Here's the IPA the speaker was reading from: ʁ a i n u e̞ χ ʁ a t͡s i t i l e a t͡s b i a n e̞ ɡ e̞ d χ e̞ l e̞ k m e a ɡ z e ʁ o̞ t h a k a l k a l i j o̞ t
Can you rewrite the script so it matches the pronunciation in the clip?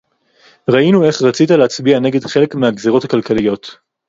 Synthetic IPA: ʁ a i n u e̞ χ ʁ a t͡s i t a l e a t͡s b i a n e̞ ɡ e̞ d χ e̞ l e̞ k m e a ɡ z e ʁ o̞ t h a k a l k a l i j o̞ t